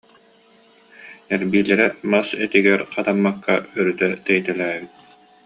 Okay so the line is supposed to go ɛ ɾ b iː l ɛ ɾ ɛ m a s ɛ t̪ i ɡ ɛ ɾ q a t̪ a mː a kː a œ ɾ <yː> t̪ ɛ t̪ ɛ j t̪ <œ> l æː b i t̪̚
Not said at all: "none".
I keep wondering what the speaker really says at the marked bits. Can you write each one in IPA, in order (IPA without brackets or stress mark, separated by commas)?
y, ɛ